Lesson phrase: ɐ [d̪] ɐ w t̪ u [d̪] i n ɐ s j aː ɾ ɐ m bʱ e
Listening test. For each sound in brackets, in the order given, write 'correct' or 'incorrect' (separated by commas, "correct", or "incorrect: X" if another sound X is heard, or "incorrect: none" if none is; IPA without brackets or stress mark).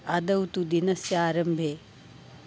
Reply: correct, correct